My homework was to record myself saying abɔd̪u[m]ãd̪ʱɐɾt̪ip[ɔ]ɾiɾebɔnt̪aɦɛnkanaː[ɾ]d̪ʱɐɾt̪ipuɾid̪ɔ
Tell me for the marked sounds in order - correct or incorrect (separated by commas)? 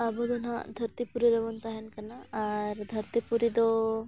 incorrect, incorrect, correct